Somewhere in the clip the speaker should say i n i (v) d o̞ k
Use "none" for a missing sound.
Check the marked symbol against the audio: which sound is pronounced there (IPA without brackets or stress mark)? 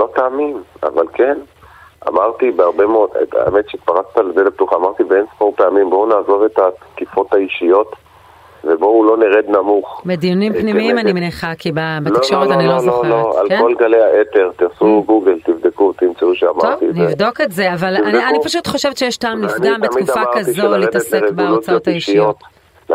v